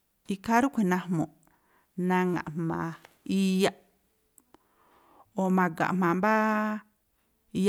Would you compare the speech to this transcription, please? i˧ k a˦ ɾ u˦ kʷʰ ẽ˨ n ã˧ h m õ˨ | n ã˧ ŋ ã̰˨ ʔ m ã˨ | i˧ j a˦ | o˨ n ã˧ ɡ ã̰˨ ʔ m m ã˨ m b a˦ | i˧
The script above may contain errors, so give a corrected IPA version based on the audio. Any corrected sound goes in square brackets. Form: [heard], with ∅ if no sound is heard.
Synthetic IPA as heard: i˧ k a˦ ɾ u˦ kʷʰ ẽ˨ n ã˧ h m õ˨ | n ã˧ ŋ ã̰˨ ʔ m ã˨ | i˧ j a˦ | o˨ [m] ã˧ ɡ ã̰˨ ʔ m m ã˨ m b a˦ | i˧